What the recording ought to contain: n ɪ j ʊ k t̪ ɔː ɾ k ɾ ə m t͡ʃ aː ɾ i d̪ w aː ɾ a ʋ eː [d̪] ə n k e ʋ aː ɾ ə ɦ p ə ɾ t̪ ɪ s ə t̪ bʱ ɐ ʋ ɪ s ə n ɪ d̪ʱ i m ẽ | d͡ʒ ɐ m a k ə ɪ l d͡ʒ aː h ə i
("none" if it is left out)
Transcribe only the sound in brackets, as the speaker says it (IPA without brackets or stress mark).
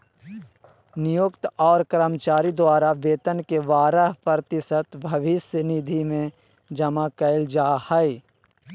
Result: t̪